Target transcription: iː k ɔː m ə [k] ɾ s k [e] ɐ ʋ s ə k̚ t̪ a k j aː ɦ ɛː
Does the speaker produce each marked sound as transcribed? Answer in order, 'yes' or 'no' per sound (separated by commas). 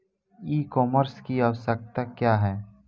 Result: no, no